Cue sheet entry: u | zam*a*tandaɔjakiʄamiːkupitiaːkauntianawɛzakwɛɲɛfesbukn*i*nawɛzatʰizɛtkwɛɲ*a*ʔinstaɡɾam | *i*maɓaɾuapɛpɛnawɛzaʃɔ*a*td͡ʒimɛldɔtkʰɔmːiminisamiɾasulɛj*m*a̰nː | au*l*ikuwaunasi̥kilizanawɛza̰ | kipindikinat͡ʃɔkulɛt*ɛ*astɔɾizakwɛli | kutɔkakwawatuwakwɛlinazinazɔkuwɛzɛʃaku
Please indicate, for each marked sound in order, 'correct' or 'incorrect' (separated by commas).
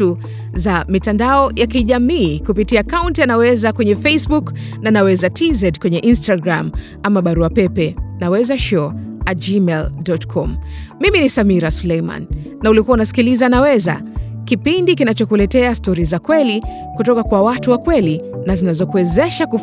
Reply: incorrect, incorrect, incorrect, incorrect, correct, correct, correct, correct